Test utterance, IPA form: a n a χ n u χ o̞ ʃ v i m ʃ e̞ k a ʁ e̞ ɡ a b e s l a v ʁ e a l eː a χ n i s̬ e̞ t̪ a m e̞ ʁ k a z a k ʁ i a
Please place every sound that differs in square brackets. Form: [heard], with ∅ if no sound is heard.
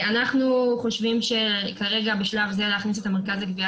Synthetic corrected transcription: a n a χ n u χ o̞ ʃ v i m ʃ e̞ k a ʁ e̞ ɡ a b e [ʃ] l a v [z] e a l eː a χ n i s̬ e̞ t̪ a m e̞ ʁ k a z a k [v] i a